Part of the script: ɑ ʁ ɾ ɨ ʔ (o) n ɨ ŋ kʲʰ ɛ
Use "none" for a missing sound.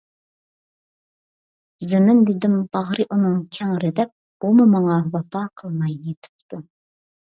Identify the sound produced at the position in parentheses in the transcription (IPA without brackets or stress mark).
u